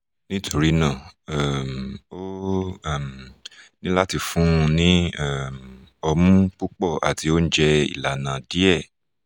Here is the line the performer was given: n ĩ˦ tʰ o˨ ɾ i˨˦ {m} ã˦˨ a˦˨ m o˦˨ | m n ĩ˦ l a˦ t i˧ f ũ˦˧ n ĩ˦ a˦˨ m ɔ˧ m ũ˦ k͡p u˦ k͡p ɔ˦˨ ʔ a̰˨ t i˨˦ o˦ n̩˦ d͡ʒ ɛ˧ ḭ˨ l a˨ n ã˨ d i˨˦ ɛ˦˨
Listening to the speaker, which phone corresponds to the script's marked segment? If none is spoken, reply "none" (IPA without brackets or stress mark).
n